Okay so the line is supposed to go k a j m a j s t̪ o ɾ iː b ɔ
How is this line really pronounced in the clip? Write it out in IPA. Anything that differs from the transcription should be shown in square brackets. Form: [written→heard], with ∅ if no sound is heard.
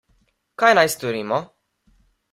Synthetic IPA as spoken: k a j [m→n] a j s t̪ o ɾ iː [b→m] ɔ